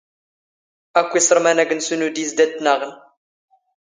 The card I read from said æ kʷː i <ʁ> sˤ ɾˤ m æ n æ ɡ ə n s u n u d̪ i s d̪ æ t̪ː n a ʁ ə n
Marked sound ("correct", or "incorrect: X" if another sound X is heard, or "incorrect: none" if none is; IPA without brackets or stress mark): incorrect: none